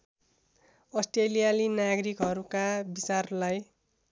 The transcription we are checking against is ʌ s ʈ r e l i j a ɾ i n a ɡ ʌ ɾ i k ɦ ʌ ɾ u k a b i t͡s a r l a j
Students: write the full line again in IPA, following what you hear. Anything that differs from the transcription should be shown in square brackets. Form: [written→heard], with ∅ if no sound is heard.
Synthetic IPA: ʌ s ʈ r e l i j a [ɾ→l] i n a ɡ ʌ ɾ i k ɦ ʌ ɾ u k a b i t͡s a r l a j